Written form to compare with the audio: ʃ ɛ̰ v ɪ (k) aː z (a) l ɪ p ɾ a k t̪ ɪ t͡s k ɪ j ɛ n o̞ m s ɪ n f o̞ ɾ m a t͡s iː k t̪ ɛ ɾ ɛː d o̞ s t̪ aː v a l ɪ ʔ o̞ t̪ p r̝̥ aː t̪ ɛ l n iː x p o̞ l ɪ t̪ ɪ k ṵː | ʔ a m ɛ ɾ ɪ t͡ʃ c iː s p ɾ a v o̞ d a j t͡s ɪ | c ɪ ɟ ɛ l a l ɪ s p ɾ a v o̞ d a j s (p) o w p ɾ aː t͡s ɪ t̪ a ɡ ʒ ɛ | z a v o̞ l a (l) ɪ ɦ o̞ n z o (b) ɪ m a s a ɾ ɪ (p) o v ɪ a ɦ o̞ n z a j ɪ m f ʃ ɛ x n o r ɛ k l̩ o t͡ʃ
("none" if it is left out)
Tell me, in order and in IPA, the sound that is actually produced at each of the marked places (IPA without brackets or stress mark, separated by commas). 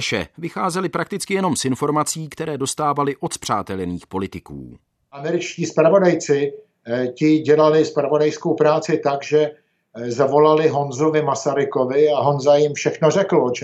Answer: x, ɛ, k, l, v, k